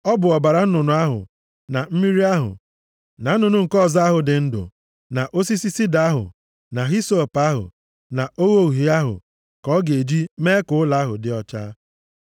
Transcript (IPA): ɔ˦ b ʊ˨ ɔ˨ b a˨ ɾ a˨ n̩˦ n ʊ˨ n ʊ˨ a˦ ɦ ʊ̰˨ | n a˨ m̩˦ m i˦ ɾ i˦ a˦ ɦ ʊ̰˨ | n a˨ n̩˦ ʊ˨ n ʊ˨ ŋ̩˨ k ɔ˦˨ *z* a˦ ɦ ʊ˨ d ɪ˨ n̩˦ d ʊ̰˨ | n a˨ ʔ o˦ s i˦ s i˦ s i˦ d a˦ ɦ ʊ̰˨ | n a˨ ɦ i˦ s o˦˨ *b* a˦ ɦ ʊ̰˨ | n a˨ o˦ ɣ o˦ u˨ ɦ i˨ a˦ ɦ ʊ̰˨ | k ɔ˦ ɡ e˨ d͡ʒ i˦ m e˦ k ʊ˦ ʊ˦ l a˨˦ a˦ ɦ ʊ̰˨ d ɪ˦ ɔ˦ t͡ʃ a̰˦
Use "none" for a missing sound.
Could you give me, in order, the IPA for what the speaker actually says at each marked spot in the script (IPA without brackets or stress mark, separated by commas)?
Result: z, p